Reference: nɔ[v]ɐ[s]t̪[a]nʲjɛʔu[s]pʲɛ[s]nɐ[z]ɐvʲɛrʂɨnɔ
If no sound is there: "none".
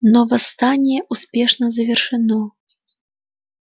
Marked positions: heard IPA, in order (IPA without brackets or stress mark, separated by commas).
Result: v, s, a, s, ʂ, z